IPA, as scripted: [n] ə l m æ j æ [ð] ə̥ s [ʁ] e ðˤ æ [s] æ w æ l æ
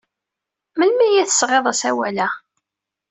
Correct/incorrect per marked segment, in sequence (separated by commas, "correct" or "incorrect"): incorrect, incorrect, correct, correct